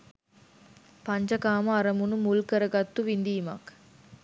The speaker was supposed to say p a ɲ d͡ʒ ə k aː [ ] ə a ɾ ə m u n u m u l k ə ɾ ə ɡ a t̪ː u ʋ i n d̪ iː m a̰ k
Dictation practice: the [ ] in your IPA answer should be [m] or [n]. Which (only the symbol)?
m